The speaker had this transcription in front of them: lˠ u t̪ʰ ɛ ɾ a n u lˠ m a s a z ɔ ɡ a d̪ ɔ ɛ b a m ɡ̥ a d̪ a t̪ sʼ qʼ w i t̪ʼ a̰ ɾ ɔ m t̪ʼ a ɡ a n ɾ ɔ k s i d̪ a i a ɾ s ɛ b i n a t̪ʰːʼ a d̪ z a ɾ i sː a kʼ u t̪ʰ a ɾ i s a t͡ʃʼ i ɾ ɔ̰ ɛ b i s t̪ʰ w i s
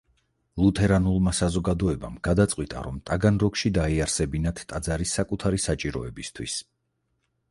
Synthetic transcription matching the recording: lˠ u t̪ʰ ɛ ɾ a n u lˠ m a s a z ɔ ɡ a d̪ ɔ ɛ b a m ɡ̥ a d̪ a t̪ sʼ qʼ w i t̪ʼ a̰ ɾ ɔ m t̪ʼ a ɡ a n ɾ ɔ k ʃ i d̪ a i a ɾ s ɛ b i n a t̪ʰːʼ a d̪ z a ɾ i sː a kʼ u t̪ʰ a ɾ i s a t͡ʃʼ i ɾ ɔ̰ ɛ b i s t̪ʰ w i s